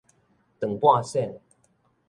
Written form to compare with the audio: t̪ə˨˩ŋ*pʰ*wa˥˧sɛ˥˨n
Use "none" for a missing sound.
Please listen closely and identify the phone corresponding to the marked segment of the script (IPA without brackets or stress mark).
p